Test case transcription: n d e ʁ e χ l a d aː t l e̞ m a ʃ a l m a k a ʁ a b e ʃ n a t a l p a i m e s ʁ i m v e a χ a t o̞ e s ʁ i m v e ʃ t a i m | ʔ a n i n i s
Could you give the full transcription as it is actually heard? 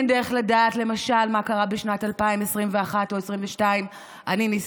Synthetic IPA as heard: n d e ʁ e χ l a d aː t l e̞ m a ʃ a l m a k a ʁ a b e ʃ n a t a l p a i m e s ʁ i m v e a χ a t o̞ e s ʁ i m v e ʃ t a i m | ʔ a n i n i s